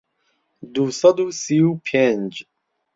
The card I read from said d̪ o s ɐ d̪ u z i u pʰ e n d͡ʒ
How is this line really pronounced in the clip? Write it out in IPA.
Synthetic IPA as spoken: d̪ u s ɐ d̪ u s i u pʰ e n d͡ʒ